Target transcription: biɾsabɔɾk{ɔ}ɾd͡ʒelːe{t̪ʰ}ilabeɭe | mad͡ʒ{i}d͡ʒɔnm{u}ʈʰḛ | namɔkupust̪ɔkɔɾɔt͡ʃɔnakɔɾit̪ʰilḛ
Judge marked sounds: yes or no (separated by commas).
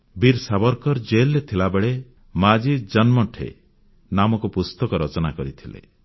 yes, yes, yes, no